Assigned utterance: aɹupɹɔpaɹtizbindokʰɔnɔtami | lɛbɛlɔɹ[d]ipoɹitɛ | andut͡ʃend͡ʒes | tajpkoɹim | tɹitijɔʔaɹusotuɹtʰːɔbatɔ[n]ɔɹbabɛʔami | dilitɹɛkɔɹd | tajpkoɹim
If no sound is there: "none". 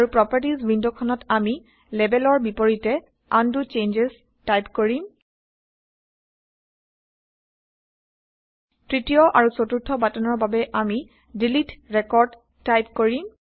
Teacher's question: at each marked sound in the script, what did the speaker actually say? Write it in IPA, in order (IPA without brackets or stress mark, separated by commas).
b, n